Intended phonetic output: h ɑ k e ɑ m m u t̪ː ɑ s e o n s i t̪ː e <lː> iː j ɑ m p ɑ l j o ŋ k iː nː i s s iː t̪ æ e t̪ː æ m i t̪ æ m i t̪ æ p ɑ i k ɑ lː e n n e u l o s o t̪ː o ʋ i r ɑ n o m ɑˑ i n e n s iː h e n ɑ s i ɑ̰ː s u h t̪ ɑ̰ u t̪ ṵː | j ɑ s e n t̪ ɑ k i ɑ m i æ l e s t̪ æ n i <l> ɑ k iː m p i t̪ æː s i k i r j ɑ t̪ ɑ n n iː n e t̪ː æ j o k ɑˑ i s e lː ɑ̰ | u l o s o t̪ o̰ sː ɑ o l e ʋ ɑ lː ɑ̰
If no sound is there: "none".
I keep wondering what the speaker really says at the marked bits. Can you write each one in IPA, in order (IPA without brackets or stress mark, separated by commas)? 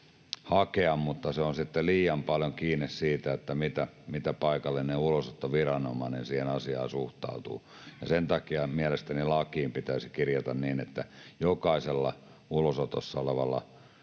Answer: l, l